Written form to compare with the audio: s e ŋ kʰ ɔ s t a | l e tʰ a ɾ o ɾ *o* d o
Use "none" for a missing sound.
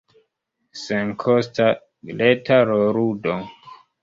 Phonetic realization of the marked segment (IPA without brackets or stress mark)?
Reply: u